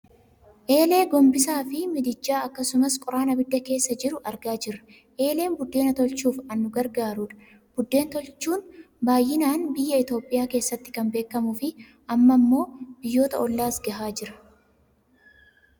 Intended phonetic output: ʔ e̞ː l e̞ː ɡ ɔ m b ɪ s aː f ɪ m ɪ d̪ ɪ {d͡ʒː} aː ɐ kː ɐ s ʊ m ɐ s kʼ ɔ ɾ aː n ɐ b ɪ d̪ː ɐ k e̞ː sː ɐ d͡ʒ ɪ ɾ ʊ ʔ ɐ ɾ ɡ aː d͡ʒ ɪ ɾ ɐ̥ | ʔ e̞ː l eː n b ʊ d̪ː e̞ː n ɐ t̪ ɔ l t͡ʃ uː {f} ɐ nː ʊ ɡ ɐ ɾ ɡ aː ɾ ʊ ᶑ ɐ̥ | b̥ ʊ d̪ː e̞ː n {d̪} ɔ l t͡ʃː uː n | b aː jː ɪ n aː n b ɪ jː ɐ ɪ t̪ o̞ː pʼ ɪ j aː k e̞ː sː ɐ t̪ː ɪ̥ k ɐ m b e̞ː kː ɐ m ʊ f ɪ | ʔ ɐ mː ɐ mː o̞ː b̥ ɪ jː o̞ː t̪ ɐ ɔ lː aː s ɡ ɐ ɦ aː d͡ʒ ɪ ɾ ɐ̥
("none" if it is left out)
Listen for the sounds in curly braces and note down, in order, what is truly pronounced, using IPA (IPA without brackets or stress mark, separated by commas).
d͡ʒː, f, t̪